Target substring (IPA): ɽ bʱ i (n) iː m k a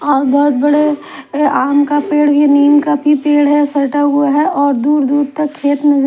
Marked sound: correct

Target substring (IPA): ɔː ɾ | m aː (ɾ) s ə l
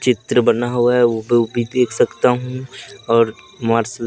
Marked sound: correct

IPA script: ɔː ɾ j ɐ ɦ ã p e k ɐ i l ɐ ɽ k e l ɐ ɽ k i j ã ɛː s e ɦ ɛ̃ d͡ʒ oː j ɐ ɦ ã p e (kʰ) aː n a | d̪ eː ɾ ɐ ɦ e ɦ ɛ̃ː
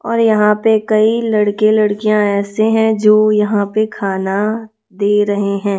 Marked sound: correct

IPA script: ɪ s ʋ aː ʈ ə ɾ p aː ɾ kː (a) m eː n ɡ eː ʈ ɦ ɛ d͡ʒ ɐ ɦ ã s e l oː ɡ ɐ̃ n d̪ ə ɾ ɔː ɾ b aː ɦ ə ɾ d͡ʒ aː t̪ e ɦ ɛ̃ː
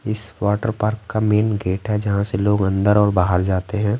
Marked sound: correct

